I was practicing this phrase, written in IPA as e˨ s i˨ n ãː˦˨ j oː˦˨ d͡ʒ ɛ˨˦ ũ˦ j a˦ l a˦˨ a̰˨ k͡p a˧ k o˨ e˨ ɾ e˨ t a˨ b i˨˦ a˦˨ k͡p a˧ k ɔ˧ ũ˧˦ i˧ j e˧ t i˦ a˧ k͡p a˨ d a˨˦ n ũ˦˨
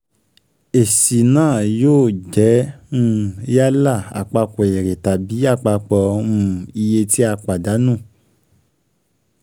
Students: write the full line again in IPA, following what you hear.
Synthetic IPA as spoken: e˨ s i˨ n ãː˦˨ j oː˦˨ d͡ʒ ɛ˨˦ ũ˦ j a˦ l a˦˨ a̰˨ k͡p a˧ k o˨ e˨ ɾ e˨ t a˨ b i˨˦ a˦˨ k͡p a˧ k͡p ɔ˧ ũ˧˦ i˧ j e˧ t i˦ a˧ k͡p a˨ d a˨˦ n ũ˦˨